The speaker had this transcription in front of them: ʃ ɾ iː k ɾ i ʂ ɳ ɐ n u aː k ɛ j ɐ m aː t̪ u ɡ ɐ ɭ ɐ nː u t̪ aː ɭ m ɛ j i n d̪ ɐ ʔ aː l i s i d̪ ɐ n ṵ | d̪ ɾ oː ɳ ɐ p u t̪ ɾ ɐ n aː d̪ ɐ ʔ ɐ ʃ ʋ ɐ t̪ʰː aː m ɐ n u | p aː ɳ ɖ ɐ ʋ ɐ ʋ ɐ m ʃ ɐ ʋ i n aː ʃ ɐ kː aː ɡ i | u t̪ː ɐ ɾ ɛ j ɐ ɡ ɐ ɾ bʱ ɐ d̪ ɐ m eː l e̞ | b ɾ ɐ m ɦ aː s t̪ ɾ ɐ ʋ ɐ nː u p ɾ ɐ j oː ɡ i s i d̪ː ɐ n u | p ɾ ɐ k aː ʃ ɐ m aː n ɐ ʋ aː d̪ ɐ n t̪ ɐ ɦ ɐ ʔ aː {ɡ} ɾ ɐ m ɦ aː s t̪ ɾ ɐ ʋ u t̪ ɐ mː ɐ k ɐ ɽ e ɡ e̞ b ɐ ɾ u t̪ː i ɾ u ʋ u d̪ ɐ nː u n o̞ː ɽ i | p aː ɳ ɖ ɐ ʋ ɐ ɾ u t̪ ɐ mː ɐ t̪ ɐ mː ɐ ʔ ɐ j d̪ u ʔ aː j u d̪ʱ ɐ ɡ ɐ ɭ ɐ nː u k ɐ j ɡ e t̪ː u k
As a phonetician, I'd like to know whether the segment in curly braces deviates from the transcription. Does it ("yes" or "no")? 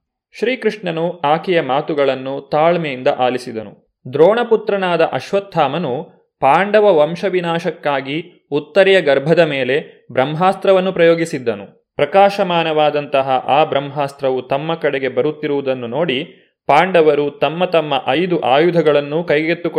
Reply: yes